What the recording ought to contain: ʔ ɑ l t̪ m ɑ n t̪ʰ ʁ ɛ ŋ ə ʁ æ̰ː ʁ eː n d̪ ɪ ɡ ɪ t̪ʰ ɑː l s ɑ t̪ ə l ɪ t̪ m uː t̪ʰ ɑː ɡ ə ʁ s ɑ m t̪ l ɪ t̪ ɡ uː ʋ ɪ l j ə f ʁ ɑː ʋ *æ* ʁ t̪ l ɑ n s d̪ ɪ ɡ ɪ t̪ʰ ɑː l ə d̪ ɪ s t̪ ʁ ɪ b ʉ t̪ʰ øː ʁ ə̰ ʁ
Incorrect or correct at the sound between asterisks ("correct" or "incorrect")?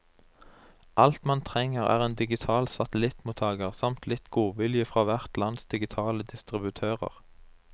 correct